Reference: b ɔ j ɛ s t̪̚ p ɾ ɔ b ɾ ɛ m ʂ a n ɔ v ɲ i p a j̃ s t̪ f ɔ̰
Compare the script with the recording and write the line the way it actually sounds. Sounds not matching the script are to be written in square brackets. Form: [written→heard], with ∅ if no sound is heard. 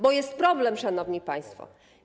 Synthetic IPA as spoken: b ɔ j ɛ s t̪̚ p ɾ ɔ b [ɾ→l] ɛ m ʂ a n ɔ v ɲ i p a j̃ s t̪ f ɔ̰

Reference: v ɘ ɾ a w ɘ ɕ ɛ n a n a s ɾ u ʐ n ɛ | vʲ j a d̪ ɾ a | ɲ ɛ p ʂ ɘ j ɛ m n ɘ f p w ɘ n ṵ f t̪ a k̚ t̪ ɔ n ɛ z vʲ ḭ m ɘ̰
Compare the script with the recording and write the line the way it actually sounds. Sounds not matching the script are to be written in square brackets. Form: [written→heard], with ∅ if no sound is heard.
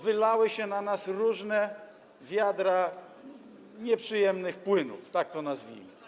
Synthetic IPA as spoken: v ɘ [ɾ→l] a w ɘ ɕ ɛ n a n a s ɾ u ʐ n ɛ | vʲ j a d̪ ɾ a | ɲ ɛ p ʂ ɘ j ɛ m n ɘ [f→x] p w ɘ n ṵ f t̪ a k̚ t̪ ɔ n [ɛ→a] z vʲ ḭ m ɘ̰

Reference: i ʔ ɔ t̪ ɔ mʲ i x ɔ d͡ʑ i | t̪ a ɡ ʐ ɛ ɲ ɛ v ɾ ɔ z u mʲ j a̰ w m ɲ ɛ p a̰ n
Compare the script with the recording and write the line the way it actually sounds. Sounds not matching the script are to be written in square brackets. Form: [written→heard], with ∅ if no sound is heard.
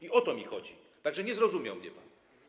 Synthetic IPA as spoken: i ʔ ɔ t̪ ɔ mʲ i x ɔ d͡ʑ i | t̪ a ɡ ʐ ɛ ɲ ɛ [v→z] ɾ ɔ z u mʲ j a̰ w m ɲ ɛ p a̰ n

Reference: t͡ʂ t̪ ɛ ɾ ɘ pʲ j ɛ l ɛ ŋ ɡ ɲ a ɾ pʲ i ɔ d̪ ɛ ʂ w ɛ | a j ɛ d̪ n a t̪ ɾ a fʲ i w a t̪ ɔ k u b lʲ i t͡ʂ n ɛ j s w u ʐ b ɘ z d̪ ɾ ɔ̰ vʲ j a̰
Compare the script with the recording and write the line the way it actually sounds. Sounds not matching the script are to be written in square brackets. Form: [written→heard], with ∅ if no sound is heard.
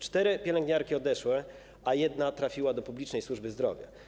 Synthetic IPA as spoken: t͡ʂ t̪ ɛ ɾ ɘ pʲ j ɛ l ɛ ŋ ɡ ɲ a ɾ [pʲ→kʲ] i ɔ d̪ ɛ ʂ w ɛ | a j ɛ d̪ n a t̪ ɾ a fʲ i w a [t̪→d̪] ɔ [k→p] u b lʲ i t͡ʂ n ɛ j s w u ʐ b ɘ z d̪ ɾ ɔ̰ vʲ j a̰

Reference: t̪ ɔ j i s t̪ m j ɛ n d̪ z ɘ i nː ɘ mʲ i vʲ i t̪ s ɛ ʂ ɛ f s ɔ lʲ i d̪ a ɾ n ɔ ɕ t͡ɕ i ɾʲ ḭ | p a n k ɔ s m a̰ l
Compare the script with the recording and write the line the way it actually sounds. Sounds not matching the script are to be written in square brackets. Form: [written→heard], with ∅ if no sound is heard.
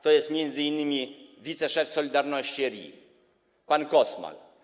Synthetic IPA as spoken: t̪ ɔ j [i→ɛ] s t̪ m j ɛ n d̪ z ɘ i nː ɘ mʲ i vʲ i t̪ s ɛ ʂ ɛ f s ɔ lʲ i d̪ a ɾ n ɔ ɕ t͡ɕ i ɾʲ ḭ | p a n k ɔ s m a̰ l

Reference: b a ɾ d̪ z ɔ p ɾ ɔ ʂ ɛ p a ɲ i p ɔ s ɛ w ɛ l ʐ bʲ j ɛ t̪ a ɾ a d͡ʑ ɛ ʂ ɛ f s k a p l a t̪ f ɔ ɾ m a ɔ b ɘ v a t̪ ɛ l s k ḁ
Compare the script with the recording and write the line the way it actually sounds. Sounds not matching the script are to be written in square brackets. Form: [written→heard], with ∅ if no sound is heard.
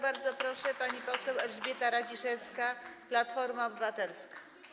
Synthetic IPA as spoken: b a ɾ d̪ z ɔ p ɾ ɔ ʂ ɛ p a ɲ i p ɔ s ɛ w ɛ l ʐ bʲ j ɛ t̪ a ɾ a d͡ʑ [ɛ→i] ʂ ɛ f s k a p l a t̪ f ɔ ɾ m a ɔ b ɘ v a t̪ ɛ l s k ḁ

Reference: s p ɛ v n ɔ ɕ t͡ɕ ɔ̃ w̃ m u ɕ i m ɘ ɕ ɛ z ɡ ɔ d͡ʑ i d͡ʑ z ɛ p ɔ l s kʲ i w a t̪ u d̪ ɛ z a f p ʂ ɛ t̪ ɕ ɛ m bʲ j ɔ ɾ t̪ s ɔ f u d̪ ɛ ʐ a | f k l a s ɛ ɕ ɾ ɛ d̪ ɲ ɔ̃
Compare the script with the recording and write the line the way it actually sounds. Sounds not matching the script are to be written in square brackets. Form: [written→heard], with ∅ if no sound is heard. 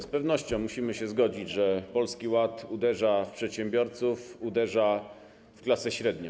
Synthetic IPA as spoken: s p ɛ v n ɔ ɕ t͡ɕ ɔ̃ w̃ m u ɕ i m ɘ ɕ ɛ z ɡ ɔ d͡ʑ i d͡ʑ [z→ʐ] ɛ p ɔ l s kʲ i w a t̪ u d̪ ɛ [z→ʐ] a f p ʂ ɛ t̪ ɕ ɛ m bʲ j ɔ ɾ t̪ s [ɔ→u] f u d̪ ɛ ʐ a | f k l a s ɛ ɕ ɾ ɛ d̪ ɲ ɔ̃

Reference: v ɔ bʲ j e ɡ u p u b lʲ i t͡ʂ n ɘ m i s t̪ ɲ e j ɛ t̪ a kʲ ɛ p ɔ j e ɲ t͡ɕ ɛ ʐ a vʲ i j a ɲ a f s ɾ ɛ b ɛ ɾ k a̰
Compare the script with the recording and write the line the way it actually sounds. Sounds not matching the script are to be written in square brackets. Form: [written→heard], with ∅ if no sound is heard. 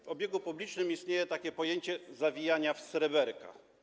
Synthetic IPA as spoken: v ɔ bʲ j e ɡ u p u b lʲ i t͡ʂ n ɘ m i s t̪ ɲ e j ɛ t̪ a kʲ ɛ p ɔ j e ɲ t͡ɕ ɛ [ʐ→z] a vʲ i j a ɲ a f s ɾ ɛ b ɛ ɾ k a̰

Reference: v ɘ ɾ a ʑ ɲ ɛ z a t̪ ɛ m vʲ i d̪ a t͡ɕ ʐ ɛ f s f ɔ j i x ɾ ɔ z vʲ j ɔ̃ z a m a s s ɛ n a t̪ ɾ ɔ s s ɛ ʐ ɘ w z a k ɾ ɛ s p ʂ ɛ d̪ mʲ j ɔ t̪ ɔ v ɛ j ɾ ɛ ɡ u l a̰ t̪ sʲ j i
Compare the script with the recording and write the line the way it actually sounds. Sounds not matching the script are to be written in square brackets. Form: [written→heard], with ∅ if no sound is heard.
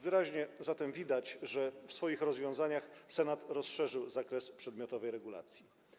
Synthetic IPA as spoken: v ɘ ɾ a ʑ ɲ ɛ z a t̪ ɛ m vʲ i d̪ a t͡ɕ ʐ ɛ f s f ɔ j i x ɾ ɔ z vʲ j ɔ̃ z a [m→ɲ] a [s→x] s ɛ n a t̪ ɾ ɔ s [s→ʂ] ɛ ʐ ɘ w z a k ɾ ɛ s p ʂ ɛ d̪ mʲ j ɔ t̪ ɔ v ɛ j ɾ ɛ ɡ u l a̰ t̪ sʲ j i

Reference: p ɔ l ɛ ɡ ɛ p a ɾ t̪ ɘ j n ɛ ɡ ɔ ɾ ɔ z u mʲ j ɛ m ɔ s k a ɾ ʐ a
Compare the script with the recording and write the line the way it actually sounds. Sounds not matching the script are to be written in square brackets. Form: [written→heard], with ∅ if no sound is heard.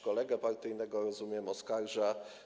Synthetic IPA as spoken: [p→k] ɔ l ɛ ɡ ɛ p a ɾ t̪ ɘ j n ɛ ɡ ɔ ɾ ɔ z u mʲ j ɛ m ɔ s k a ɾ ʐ a

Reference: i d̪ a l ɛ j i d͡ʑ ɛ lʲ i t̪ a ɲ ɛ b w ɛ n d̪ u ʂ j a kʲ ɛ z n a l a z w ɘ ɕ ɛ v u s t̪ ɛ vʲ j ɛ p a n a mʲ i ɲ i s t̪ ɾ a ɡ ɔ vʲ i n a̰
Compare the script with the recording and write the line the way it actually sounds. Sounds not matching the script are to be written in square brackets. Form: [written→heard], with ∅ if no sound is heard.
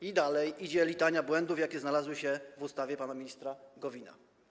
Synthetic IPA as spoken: i d̪ a l ɛ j i d͡ʑ ɛ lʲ i t̪ a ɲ [ɛ→a] b w ɛ n d̪ u [ʂ→f] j a kʲ ɛ z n a l a z w ɘ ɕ ɛ v u s t̪ [ɛ→a] vʲ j ɛ p a n a mʲ i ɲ i s t̪ ɾ a ɡ ɔ vʲ i n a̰

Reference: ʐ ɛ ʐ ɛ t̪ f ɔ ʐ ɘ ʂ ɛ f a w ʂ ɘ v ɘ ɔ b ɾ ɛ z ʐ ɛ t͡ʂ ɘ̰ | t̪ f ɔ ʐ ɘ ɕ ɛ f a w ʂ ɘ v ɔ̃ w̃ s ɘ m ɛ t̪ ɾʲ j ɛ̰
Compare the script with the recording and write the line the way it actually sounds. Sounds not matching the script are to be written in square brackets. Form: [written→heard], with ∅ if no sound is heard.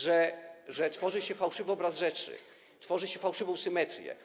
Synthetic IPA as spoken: ʐ ɛ ʐ ɛ t̪ f ɔ ʐ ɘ [ʂ→ɕ] ɛ f a w ʂ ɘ v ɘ ɔ b ɾ [ɛ→a] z ʐ ɛ t͡ʂ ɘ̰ | t̪ f ɔ ʐ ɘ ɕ ɛ f a w ʂ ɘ v ɔ̃ w̃ s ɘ m ɛ t̪ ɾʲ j ɛ̰

